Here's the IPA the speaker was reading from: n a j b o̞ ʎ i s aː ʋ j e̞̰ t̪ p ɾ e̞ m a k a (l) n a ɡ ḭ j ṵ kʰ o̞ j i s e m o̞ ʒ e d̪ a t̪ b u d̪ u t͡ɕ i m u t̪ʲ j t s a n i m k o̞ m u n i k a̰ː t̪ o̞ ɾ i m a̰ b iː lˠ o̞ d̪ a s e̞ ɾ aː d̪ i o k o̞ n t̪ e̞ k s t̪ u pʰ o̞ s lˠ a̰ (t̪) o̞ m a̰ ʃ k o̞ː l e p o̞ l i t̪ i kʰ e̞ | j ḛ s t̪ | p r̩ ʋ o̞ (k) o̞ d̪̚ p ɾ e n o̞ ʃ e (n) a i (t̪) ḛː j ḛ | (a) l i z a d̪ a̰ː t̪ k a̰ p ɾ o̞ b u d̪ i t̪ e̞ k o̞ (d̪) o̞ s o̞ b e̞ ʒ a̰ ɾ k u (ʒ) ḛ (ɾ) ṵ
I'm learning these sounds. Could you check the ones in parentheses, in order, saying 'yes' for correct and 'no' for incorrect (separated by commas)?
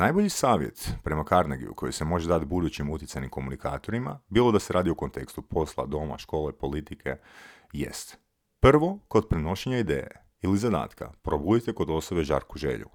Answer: no, no, yes, no, no, no, yes, yes, no